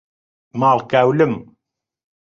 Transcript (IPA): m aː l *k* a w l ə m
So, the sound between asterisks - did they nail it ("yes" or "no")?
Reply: yes